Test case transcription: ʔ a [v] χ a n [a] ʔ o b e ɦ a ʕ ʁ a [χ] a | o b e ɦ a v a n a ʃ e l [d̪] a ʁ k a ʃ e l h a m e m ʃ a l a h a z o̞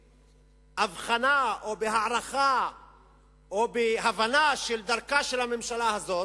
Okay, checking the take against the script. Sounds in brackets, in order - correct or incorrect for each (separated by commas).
correct, correct, correct, correct